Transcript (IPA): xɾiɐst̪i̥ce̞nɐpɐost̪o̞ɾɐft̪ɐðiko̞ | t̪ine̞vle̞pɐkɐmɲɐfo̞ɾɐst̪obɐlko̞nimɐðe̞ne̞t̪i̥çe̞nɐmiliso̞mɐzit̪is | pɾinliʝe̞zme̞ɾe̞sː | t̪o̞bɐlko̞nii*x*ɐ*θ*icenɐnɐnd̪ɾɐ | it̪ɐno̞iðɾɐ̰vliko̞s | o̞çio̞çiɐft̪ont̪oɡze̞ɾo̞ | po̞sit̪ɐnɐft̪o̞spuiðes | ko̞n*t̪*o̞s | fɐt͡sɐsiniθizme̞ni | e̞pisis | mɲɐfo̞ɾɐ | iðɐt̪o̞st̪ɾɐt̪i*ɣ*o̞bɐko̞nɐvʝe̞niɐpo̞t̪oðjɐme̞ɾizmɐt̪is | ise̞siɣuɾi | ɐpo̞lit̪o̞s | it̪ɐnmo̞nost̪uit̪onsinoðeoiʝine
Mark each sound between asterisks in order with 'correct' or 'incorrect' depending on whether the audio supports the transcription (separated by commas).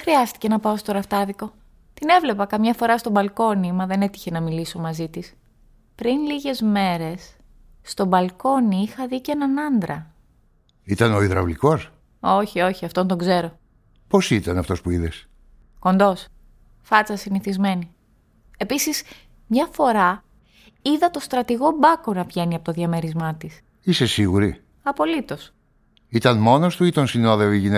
correct, incorrect, incorrect, correct